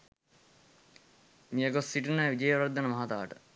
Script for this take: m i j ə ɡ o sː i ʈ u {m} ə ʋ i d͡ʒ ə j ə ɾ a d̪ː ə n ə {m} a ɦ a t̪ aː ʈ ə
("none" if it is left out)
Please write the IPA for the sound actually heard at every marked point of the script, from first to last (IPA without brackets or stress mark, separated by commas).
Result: n, m